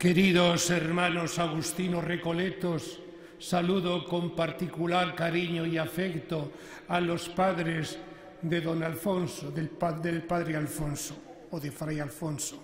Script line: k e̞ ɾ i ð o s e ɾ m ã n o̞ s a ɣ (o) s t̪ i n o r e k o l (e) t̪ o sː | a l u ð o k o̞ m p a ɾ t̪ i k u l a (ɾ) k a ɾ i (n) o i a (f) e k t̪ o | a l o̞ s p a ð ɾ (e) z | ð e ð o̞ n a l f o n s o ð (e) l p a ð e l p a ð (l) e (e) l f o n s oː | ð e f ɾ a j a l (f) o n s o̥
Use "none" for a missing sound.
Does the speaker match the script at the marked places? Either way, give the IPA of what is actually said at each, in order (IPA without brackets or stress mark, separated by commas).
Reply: u, e, ɾ, ɲ, f, e, e, ɾ, a, f